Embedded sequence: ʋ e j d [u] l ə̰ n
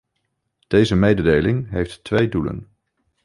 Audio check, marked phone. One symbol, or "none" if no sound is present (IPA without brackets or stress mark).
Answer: u